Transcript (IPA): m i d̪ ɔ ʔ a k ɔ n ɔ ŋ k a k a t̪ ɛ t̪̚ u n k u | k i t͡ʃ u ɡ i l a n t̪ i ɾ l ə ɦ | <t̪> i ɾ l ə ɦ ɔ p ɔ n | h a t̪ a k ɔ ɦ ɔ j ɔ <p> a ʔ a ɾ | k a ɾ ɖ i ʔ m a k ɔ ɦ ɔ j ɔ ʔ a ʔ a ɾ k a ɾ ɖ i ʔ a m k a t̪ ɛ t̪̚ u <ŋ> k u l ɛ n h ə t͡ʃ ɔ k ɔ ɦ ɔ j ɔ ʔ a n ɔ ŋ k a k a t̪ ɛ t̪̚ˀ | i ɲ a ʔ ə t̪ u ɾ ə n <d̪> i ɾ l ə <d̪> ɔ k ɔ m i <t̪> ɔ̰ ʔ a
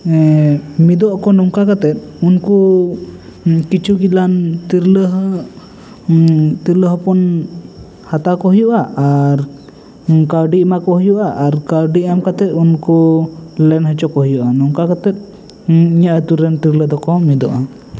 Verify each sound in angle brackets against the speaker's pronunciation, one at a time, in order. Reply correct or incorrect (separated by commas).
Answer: correct, incorrect, incorrect, incorrect, correct, incorrect